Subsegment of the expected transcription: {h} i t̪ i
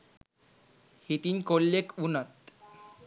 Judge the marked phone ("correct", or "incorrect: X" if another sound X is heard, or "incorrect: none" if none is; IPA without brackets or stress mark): correct